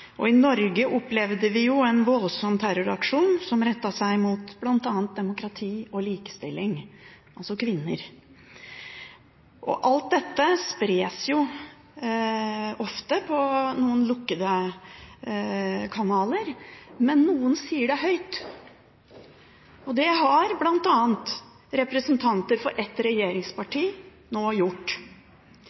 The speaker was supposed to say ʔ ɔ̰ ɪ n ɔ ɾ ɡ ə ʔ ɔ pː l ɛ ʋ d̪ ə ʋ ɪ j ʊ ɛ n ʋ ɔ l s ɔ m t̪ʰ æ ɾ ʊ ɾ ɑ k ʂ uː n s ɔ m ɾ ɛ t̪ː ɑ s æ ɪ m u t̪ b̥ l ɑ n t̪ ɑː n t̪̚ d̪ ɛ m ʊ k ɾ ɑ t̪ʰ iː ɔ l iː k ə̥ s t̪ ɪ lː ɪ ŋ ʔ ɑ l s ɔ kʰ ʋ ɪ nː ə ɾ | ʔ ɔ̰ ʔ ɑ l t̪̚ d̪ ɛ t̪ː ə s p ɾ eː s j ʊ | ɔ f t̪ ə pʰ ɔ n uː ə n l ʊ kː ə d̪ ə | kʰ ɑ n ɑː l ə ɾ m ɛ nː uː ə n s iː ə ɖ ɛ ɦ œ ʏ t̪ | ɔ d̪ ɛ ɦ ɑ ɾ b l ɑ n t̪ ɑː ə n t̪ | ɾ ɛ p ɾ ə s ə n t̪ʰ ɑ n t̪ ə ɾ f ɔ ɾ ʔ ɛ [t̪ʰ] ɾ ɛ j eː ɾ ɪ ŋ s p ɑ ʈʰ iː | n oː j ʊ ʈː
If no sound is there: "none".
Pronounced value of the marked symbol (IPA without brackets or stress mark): t̪